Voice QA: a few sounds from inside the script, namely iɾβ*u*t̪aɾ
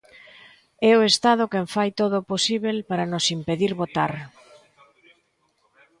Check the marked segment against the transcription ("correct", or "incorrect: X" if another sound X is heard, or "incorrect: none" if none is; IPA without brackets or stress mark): incorrect: o